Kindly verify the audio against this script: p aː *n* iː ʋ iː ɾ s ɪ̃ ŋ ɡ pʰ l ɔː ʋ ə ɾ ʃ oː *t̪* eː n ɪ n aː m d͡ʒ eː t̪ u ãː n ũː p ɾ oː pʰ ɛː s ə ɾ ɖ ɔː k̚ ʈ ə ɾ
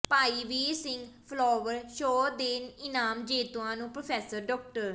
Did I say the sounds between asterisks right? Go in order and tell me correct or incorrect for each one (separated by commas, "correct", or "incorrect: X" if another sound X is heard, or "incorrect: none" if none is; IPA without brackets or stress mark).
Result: incorrect: none, incorrect: d̪